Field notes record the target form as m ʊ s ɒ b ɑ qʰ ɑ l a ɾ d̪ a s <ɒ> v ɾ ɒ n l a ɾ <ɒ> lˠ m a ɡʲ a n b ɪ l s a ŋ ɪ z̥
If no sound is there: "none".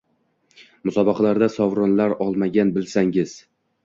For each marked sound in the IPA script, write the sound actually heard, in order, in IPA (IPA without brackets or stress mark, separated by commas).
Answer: ɒ, ɒ